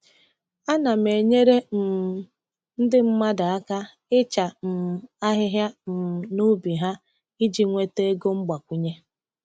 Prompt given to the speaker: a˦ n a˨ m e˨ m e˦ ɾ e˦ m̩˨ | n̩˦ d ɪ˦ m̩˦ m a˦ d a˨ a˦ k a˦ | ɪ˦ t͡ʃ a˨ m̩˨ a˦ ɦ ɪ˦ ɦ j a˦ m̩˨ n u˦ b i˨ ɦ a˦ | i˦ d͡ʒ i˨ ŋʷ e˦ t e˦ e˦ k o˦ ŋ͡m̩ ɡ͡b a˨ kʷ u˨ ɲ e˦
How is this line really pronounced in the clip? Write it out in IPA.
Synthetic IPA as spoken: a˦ n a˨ m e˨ ɲ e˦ ɾ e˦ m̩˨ | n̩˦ d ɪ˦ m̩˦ m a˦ d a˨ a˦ k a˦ | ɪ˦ t͡ʃ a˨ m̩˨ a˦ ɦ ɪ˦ ɦ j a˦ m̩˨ n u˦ b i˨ ɦ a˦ | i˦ d͡ʒ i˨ ŋʷ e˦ t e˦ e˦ ɡ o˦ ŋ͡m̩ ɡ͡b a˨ kʷ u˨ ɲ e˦